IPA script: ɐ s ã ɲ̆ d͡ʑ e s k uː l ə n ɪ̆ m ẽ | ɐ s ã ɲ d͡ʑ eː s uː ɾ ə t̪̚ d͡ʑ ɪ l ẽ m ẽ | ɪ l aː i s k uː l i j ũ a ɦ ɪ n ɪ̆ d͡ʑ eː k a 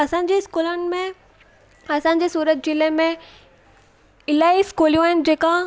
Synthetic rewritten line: ɐ s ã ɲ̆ d͡ʑ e s k uː l ə n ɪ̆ m ẽ | ɐ s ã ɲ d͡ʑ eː s uː ɾ ə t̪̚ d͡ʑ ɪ l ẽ m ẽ | ɪ l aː i s k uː l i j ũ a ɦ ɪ n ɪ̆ d͡ʑ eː k a

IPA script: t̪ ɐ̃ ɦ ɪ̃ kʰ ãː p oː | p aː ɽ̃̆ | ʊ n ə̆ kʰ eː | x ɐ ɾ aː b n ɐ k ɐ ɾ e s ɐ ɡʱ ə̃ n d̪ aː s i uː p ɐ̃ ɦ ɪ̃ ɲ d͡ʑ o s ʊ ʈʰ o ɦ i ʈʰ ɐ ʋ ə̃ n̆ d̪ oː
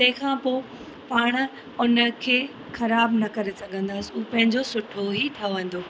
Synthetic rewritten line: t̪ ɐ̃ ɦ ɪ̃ kʰ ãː p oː | p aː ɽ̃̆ | ʊ n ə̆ kʰ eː | x ɐ ɾ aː b n ɐ k ɐ ɾ e s ɐ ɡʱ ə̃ n d̪ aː s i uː p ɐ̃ ɦ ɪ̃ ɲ d͡ʑ o s ʊ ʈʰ o ɦ i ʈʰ ɐ ʋ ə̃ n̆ d̪ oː

